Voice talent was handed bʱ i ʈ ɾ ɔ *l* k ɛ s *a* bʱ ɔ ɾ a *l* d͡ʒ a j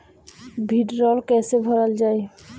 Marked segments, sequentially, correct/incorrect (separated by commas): correct, incorrect, correct